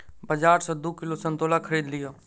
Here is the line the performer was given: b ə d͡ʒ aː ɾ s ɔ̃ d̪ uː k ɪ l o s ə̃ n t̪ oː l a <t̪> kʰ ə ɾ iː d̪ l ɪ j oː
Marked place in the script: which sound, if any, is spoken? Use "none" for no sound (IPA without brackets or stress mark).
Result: none